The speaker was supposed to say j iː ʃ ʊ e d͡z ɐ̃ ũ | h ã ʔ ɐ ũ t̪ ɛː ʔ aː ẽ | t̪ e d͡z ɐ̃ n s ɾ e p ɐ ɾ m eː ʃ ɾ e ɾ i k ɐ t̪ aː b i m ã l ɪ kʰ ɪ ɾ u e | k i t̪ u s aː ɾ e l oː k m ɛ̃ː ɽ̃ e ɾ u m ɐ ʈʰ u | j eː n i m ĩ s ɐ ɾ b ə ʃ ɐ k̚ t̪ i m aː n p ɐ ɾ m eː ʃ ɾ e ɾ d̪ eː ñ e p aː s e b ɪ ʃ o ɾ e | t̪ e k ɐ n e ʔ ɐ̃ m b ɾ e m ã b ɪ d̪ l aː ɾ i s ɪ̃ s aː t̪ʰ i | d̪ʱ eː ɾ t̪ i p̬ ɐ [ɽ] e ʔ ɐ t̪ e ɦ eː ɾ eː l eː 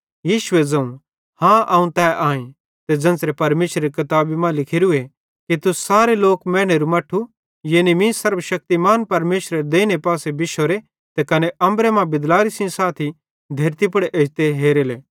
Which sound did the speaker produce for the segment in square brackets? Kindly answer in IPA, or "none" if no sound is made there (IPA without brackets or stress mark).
ɽ